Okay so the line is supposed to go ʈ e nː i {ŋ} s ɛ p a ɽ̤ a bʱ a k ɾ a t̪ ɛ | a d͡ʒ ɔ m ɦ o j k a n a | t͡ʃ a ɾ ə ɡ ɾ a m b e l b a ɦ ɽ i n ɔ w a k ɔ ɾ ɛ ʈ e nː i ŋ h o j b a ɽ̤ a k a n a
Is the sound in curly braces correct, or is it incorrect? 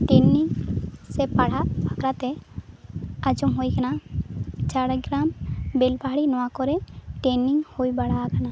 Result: correct